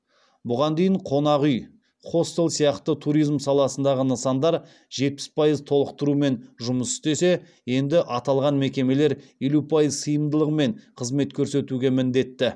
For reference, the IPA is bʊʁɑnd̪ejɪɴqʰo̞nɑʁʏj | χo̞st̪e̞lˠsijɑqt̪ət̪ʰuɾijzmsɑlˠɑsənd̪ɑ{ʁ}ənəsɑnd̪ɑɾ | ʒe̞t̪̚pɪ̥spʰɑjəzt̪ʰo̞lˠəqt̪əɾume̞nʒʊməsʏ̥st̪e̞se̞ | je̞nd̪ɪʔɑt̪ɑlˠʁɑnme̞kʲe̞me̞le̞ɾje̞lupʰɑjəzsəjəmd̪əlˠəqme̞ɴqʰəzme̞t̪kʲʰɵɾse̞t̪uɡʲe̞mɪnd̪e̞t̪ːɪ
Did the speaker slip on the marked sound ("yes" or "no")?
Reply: no